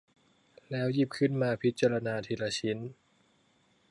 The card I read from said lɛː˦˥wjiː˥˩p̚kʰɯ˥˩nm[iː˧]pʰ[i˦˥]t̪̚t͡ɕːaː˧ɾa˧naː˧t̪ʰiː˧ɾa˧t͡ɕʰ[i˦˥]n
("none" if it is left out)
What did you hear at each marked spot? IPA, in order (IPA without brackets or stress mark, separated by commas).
aː˧, i˦˥, i˦˥